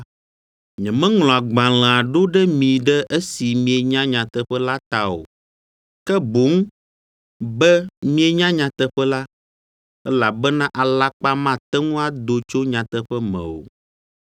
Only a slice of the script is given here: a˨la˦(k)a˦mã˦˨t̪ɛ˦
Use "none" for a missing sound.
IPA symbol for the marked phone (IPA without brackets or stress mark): k͡p